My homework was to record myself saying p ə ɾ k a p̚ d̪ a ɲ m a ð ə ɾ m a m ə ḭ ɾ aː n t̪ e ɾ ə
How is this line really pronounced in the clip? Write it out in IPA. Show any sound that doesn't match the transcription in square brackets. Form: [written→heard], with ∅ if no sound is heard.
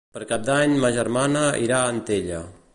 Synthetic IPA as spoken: p ə ɾ k a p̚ d̪ a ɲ m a [ð→ʒ] ə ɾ m a [m→n] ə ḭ ɾ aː n t̪ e [ɾ→ʎ] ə